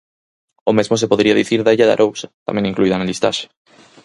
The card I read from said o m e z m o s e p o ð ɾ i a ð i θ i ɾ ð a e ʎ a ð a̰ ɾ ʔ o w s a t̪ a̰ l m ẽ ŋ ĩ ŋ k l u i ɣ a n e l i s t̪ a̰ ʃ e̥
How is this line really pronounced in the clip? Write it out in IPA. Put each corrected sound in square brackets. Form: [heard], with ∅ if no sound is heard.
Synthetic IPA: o m e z m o s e p o ð ɾ i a ð i θ i ɾ ð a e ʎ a ð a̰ ɾ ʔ o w s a t̪ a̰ [∅] m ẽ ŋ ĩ ŋ k l u i [ð] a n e l i s t̪ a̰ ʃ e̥

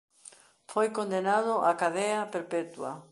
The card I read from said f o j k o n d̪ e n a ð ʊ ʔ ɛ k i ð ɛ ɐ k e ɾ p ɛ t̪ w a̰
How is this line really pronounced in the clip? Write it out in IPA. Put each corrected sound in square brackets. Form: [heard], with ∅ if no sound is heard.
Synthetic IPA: f o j k o n d̪ e n a ð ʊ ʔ [a] k [a] ð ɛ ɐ [p] e ɾ p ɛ t̪ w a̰

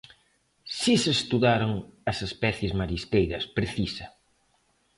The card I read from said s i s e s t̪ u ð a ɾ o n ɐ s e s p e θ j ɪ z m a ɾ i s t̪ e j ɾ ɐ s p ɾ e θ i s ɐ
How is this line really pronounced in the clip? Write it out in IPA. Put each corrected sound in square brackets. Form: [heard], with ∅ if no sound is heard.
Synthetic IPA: s i s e s t̪ u ð a ɾ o [ŋ] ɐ s e s p [ɛ] θ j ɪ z m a ɾ i s t̪ e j ɾ ɐ s p ɾ e θ i s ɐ

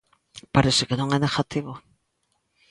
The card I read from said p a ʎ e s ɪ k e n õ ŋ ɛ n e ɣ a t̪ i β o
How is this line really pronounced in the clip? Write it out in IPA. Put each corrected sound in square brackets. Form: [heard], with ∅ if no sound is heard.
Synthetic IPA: p a [ɾ] e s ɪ k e n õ ŋ ɛ n e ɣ a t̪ i β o

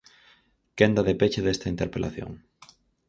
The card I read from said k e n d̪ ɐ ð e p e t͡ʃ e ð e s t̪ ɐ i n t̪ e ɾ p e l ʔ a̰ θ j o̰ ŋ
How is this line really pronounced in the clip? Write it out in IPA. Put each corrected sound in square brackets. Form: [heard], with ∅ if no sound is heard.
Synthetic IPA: k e n d̪ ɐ ð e p e t͡ʃ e ð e s t̪ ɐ i n t̪ e ɾ p e l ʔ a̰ θ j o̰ ŋ

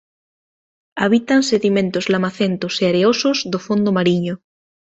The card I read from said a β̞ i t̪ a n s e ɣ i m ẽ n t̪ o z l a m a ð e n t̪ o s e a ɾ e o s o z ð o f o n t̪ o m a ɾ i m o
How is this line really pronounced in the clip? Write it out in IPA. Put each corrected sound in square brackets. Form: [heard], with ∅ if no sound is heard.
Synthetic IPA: a β̞ i t̪ a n s e [ð] i m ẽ n t̪ o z l a m a [θ] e n t̪ o s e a ɾ e o s o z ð o f o n [d̪] o m a ɾ i [ɲ] o

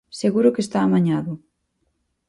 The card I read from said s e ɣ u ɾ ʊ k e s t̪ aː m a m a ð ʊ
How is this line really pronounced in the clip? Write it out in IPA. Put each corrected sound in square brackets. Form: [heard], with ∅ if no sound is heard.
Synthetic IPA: s e ɣ u ɾ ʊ k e s t̪ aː m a [ɲ] a ð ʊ

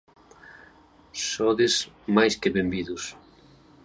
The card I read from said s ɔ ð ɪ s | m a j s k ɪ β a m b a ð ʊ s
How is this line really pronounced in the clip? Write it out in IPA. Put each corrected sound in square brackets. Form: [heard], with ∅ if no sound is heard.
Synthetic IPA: s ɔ ð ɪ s | m a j s k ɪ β [e] m b [i] ð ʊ s

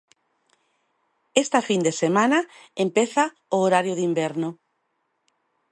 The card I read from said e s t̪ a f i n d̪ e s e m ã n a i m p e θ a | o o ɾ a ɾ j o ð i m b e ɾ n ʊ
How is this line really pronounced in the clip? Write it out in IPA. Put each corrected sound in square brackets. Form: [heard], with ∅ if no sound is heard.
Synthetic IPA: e s t̪ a f i n d̪ e s e m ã n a [e] m p e θ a | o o ɾ a ɾ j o ð i m b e ɾ n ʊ

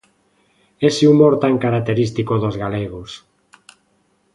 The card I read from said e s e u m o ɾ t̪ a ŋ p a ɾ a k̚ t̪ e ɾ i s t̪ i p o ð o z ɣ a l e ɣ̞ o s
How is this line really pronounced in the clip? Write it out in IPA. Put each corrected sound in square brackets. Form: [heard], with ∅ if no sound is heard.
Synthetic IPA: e s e u m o ɾ t̪ a ŋ [k] a ɾ a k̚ t̪ e ɾ i s t̪ i [k] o ð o z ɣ a l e ɣ̞ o s

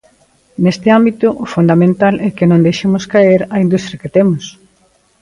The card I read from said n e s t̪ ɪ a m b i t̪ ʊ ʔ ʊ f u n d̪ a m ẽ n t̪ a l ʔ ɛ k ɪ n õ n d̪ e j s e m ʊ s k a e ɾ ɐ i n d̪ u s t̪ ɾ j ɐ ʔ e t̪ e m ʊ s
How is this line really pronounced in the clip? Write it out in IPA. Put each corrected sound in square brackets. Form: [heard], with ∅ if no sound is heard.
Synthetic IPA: n e s t̪ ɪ a m b i t̪ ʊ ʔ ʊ f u n d̪ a m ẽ n t̪ a l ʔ ɛ k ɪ n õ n d̪ e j [ʃ] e m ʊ s k a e ɾ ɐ i n d̪ u s t̪ ɾ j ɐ [k] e t̪ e m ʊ s

